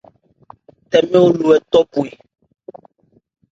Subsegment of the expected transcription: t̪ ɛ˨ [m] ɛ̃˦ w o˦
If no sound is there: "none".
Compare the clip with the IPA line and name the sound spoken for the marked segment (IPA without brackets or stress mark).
m